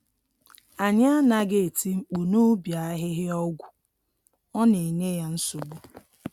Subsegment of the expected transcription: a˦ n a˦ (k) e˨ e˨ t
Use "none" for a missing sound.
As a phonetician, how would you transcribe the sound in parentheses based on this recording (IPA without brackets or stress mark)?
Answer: ɡ